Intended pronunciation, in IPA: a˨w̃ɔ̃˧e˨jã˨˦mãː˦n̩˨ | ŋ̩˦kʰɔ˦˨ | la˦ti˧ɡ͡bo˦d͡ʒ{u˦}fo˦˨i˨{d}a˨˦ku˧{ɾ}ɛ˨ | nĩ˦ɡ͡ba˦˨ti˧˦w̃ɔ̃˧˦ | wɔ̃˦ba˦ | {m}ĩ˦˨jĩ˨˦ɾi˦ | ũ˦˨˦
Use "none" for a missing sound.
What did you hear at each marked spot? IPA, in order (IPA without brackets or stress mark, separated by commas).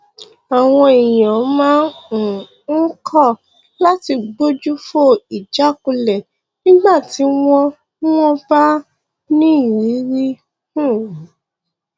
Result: u˦, d͡ʒ, l, n